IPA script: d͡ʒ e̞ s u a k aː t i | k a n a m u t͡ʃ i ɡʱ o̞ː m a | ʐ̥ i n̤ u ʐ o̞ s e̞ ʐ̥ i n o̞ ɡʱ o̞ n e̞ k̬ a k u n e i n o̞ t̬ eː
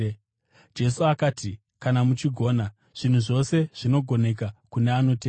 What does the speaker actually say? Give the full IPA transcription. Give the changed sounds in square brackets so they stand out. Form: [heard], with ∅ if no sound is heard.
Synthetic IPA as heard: d͡ʒ e̞ s u a k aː t i | k a n a m u t͡ʃ i ɡʱ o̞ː [n] a | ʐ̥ i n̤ u ʐ o̞ s e̞ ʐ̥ i n o̞ ɡʱ o̞ n e̞ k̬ a k u n e [a] n o̞ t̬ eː